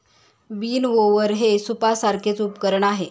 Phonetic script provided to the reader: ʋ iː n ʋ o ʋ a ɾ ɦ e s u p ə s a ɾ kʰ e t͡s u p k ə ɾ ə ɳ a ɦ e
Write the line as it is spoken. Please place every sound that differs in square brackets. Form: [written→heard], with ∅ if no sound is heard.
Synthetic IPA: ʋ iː n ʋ o ʋ [a→ə] ɾ ɦ e s u p [ə→a] s a ɾ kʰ e t͡s u p k ə ɾ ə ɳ a ɦ e